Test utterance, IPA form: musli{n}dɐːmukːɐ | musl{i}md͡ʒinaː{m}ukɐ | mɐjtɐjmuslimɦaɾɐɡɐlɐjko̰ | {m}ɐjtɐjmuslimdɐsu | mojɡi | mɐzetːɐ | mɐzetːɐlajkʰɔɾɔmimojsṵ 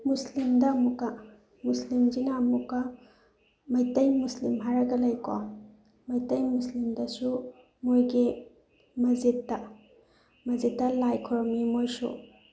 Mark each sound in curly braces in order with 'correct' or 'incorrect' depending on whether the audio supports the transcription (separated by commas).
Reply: incorrect, correct, correct, correct